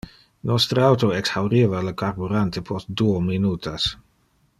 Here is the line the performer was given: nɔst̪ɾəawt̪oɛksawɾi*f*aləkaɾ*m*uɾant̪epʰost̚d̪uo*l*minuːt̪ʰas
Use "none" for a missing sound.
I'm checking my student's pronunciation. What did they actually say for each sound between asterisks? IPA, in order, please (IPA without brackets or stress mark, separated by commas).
v, b, none